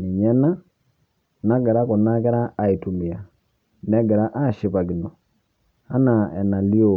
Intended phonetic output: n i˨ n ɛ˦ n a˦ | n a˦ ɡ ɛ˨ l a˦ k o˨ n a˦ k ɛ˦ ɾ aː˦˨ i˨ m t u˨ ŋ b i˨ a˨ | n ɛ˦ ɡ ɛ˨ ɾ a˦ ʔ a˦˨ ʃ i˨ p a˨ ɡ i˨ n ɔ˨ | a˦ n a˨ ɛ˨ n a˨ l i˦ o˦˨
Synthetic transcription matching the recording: n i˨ ɲ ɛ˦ n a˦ | n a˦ ɡ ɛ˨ ɾ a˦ k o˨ n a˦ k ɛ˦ ɾ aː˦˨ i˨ t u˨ m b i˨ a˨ | n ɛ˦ ɡ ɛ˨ ɾ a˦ ʔ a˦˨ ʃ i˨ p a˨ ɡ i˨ n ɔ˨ | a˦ n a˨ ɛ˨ n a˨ l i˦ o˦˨